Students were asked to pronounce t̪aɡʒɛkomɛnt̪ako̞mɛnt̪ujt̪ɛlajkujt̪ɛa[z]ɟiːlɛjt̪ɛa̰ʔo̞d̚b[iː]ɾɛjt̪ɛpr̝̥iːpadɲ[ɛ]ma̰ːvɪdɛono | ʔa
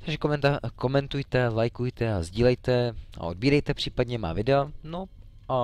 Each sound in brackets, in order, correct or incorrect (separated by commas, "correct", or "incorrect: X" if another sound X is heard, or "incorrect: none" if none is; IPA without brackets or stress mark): correct, correct, correct